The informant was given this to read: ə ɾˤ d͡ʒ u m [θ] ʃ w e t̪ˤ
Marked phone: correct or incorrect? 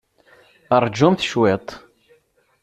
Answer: correct